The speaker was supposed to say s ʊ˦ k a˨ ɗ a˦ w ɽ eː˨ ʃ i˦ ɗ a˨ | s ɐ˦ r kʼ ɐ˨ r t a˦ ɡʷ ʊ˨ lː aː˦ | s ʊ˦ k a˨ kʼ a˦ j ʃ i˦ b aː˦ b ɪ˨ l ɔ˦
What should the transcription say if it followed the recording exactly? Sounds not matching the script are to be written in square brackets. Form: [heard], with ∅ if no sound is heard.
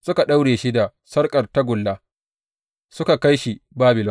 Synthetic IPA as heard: s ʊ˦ k a˨ ɗ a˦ w ɽ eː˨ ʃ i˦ [d] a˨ | s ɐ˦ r kʼ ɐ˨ r t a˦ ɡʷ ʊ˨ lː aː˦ | s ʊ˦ k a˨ [k] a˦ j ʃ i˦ b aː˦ b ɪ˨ l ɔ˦